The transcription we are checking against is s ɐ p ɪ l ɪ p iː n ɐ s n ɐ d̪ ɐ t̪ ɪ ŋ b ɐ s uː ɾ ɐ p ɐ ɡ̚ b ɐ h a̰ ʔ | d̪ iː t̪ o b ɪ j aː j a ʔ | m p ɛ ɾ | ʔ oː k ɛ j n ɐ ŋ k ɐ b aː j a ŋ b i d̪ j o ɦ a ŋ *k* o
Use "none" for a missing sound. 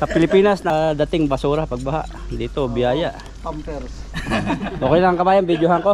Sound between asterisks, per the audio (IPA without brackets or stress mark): k